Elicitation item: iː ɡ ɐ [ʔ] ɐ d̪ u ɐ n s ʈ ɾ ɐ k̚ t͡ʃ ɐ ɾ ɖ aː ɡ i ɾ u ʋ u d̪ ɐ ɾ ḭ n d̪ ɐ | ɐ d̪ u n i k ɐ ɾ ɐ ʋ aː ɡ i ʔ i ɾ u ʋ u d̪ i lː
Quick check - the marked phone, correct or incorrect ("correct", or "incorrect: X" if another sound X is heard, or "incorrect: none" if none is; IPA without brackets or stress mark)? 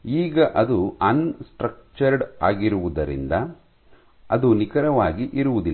correct